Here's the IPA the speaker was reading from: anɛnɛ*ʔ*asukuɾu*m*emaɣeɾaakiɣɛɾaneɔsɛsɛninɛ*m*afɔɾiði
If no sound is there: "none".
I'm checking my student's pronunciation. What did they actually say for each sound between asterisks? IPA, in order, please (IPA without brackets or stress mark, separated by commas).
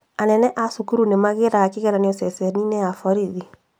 ʔ, n, none